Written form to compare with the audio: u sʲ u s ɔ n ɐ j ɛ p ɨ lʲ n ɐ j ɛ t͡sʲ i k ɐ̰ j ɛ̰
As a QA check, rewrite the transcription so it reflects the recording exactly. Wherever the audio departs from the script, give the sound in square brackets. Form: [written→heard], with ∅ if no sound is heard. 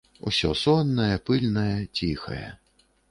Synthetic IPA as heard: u sʲ [u→ɔ] s ɔ [n→nː] ɐ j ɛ p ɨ lʲ n ɐ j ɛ t͡sʲ i [k→x] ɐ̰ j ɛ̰